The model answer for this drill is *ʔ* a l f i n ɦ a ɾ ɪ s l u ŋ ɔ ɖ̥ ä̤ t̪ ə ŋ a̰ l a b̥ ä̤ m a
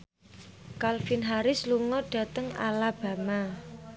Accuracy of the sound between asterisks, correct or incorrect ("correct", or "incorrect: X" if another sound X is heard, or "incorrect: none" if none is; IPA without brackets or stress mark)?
incorrect: k